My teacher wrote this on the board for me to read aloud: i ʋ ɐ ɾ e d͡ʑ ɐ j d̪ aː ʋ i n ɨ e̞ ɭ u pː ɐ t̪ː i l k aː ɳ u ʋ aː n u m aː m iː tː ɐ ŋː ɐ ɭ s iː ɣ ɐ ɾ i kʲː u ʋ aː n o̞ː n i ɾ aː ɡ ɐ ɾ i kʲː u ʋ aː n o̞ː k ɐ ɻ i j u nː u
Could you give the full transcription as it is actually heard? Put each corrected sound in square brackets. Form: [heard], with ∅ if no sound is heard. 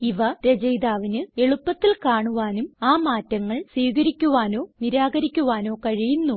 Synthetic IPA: i ʋ ɐ ɾ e d͡ʑ ɐ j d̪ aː ʋ i n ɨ e̞ ɭ u pː ɐ t̪ː i l k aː ɳ u ʋ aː n u m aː m [aː] tː ɐ ŋː ɐ ɭ s iː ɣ ɐ ɾ i kʲː u ʋ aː n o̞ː n i ɾ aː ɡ ɐ ɾ i kʲː u ʋ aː n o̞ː k ɐ ɻ i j u nː u